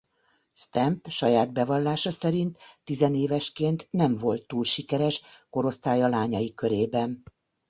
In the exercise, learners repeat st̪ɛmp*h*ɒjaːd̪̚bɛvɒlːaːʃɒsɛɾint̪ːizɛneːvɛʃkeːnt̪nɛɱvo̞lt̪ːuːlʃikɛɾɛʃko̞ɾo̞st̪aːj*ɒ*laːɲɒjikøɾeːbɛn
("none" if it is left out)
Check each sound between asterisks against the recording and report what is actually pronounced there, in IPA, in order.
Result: ʃ, ɒ

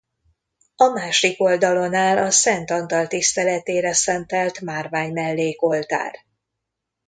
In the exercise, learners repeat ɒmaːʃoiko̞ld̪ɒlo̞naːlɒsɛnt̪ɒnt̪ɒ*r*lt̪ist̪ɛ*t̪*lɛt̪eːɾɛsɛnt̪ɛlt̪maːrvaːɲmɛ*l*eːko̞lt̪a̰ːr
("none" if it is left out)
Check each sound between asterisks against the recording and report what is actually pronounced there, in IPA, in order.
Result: none, none, lː

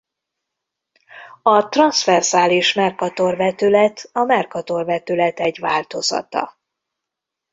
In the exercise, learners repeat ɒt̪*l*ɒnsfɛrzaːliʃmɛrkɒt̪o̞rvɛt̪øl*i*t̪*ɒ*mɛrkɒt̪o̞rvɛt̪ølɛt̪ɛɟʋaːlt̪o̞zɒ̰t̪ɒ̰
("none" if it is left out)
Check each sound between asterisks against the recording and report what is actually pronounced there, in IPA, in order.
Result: r, ɛ, ɒ

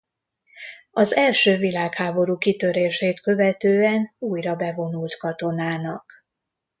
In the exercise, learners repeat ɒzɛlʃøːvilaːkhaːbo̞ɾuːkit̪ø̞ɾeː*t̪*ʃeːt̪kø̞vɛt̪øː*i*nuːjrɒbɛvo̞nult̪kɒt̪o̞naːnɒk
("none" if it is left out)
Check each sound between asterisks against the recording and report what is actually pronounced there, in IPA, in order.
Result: none, ɛ

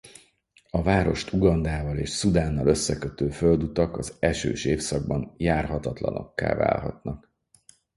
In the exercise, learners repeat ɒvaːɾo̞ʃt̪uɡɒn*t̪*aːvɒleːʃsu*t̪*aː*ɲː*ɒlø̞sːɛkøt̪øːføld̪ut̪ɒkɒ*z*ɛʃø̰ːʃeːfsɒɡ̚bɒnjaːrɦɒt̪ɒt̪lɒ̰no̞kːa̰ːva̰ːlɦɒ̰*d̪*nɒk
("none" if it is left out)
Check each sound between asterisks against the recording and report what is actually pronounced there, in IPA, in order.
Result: d̪, d̪, nː, z, t̪

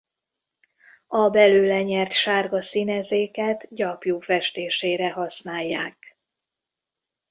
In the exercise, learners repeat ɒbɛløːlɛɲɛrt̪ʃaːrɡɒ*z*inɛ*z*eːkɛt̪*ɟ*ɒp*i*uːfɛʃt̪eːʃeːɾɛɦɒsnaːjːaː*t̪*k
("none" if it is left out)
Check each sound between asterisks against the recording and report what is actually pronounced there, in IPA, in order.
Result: s, z, ɟ, j, none

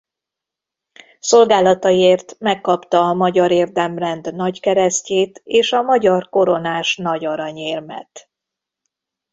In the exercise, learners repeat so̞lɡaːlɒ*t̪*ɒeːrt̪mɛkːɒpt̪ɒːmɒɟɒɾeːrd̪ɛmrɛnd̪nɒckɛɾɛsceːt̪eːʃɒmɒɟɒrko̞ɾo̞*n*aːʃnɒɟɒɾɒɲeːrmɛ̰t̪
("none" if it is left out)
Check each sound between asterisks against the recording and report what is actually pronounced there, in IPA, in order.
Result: t̪, n

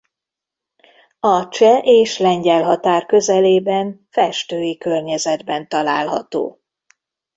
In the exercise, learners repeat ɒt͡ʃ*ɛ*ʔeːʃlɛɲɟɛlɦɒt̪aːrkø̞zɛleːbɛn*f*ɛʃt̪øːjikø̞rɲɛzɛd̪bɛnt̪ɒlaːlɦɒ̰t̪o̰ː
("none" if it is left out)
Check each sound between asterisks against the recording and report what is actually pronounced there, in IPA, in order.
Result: ɛ, f

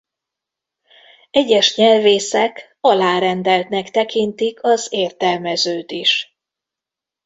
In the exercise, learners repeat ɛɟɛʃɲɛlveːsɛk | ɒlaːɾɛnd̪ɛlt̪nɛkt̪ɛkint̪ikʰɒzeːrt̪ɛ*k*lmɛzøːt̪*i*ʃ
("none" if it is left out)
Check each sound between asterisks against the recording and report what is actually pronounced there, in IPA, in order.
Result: none, i

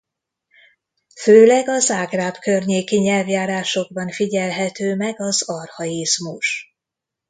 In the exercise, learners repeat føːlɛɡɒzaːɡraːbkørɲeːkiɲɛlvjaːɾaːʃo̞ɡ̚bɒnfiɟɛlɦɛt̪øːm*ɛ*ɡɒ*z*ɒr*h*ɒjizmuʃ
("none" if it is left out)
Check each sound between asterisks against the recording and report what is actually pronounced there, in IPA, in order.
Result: ɛ, z, h

